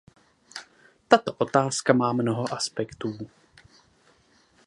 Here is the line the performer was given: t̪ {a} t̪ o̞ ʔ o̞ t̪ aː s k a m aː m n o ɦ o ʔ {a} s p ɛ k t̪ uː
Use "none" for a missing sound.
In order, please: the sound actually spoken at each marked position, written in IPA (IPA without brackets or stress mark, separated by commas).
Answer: a, a